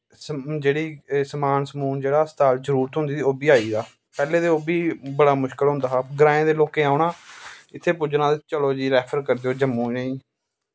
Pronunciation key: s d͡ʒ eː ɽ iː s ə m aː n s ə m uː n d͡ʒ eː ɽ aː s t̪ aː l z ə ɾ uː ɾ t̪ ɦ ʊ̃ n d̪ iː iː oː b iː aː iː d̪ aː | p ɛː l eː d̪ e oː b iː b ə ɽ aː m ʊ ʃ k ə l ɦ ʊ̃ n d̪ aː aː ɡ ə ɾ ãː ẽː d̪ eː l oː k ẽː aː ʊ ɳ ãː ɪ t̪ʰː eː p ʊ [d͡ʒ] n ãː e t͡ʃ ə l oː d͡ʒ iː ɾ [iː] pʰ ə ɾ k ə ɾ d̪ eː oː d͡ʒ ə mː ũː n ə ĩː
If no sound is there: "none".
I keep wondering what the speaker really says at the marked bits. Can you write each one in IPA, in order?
d͡ʒ, ɛː

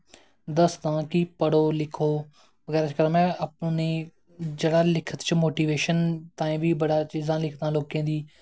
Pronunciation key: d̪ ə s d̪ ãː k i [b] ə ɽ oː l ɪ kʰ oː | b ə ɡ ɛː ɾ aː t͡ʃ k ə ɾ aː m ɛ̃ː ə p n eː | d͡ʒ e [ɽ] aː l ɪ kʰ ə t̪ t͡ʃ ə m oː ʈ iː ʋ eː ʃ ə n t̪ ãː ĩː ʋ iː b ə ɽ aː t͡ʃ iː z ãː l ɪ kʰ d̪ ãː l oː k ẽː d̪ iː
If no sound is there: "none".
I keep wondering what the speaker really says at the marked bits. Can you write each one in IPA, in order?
p, ɽ

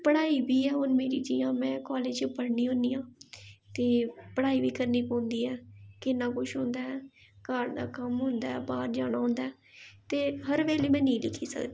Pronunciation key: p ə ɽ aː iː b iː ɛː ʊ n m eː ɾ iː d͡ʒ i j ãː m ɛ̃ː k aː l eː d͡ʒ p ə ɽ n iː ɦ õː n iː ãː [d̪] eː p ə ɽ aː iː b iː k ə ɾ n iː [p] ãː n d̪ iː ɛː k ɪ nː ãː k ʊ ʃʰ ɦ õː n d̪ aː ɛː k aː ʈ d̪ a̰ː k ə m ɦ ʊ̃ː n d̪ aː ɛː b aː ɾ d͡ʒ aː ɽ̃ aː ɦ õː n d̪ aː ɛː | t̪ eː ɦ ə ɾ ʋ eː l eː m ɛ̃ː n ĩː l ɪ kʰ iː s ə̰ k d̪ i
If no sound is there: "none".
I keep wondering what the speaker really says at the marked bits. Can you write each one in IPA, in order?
t̪, p

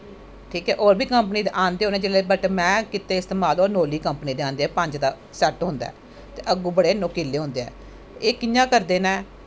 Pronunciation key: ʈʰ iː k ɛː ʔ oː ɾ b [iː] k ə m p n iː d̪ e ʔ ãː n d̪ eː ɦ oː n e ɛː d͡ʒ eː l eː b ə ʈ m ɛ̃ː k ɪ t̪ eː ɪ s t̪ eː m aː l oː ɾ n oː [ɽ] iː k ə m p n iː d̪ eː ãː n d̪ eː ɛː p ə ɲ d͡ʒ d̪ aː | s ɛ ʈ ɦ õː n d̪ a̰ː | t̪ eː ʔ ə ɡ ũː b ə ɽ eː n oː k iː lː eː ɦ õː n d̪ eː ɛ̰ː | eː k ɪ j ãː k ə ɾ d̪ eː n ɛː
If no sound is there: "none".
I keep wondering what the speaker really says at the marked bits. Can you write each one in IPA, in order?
iː, l

